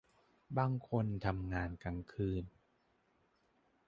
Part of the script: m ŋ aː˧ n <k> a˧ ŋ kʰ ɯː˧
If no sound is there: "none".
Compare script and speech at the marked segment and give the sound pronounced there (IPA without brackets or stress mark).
k